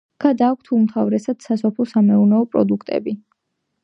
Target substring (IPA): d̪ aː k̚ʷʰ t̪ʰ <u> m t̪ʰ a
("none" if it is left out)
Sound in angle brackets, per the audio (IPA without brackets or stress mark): u